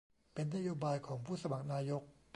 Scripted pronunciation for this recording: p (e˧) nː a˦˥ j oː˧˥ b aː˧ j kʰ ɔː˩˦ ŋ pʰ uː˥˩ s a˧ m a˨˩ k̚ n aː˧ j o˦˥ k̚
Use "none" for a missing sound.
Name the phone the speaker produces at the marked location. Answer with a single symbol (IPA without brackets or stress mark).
e˧